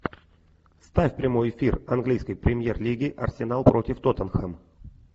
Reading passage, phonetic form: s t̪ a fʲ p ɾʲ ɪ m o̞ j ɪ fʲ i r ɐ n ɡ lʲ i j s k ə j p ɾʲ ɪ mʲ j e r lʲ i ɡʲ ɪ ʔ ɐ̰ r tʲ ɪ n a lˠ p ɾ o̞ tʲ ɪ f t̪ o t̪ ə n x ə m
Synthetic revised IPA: s t̪ a fʲ p ɾʲ ɪ m o̞ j ɪ fʲ i r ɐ n ɡ lʲ i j s k ə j p ɾʲ ɪ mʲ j e r lʲ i ɡʲ ɪ ʔ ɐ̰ r sʲ ɪ n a lˠ p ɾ o̞ tʲ ɪ f t̪ o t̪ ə n x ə m